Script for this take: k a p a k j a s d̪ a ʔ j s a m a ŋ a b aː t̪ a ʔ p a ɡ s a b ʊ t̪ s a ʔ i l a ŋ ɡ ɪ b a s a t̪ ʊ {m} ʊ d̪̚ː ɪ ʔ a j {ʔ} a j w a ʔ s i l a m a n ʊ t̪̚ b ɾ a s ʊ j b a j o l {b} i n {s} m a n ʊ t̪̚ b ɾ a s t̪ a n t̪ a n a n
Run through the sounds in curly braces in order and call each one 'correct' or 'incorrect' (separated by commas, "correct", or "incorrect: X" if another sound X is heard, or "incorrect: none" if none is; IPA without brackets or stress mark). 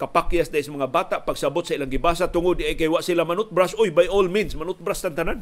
incorrect: ŋ, incorrect: k, incorrect: m, correct